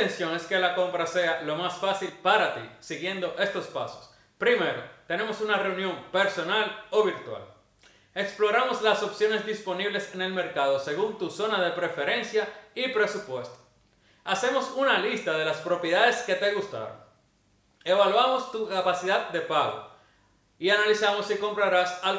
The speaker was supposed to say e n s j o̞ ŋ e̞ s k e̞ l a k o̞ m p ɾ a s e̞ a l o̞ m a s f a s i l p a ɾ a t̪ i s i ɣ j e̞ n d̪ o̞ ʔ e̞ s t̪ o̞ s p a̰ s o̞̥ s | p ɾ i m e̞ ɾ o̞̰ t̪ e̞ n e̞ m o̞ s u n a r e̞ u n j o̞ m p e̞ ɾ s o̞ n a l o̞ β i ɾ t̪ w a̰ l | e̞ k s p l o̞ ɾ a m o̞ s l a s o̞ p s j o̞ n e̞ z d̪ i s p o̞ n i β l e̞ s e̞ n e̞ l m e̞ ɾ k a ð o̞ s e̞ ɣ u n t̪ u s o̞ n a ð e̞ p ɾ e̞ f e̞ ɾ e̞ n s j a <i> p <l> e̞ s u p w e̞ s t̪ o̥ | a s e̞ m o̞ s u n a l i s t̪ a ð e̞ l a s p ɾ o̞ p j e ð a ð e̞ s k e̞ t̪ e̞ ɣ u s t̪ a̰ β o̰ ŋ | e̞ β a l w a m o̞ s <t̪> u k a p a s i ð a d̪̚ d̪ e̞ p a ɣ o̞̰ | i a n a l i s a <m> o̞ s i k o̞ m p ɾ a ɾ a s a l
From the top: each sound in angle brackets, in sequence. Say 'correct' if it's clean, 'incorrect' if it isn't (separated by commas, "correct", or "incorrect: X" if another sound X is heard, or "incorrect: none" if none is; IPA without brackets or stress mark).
correct, incorrect: ɾ, correct, correct